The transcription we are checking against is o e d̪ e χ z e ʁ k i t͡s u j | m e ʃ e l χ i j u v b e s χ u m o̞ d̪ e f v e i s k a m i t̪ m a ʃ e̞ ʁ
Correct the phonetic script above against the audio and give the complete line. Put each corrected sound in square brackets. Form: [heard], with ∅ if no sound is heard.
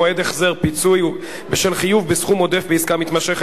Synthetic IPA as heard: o e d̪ e χ z e ʁ [p] i t͡s u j | [b] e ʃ e l χ i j u v b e s χ u m o̞ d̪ e f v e i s k a m i t̪ m a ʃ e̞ [χ]